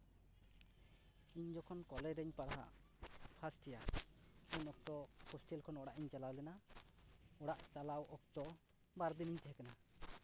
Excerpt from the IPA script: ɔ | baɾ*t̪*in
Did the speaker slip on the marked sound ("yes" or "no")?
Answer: yes